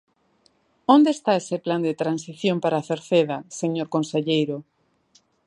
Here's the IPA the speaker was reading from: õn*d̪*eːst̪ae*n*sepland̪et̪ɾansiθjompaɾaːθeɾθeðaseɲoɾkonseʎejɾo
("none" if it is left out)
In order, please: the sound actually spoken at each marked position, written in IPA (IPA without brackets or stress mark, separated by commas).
d̪, none